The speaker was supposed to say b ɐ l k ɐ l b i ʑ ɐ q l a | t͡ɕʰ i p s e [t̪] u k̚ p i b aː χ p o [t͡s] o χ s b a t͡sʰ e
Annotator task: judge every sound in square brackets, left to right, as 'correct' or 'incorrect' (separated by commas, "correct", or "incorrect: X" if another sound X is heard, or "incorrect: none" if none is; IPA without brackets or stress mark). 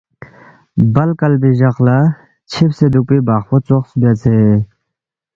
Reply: incorrect: d̪, correct